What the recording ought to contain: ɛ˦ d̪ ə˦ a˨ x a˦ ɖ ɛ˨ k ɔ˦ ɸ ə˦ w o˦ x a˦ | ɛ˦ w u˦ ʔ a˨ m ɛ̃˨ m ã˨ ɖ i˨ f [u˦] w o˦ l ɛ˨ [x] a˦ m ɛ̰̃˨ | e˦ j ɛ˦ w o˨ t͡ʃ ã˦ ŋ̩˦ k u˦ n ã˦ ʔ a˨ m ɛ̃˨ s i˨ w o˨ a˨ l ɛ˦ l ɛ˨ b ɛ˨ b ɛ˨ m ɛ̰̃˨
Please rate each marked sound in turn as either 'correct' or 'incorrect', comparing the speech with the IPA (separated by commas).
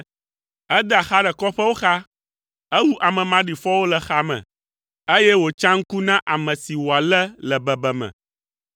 incorrect, correct